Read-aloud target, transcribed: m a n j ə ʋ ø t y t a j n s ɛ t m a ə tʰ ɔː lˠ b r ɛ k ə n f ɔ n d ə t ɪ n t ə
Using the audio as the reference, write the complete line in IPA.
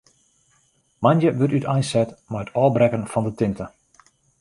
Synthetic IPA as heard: m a n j ə ʋ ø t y t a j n s ɛ t m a ə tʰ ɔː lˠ b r ɛ k ə n f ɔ n d ə t ɪ n t ə